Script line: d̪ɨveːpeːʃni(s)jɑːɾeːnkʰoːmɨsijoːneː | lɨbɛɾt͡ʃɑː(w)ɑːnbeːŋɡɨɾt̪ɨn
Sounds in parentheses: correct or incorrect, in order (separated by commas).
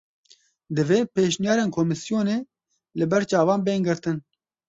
incorrect, incorrect